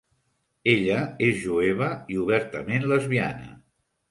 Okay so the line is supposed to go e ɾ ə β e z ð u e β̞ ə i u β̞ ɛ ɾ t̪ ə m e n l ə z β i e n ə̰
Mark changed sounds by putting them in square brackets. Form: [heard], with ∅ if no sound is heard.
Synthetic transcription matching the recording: e [ʎ] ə [∅] e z [ʒ] u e β̞ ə i u β̞ ɛ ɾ t̪ ə m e n l ə z β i [a] n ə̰